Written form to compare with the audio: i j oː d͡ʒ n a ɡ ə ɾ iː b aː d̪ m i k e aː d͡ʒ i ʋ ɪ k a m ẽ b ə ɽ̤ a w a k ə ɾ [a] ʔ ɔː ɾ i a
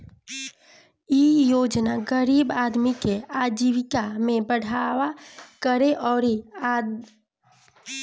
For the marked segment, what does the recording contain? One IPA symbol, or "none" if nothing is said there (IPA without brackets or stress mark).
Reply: e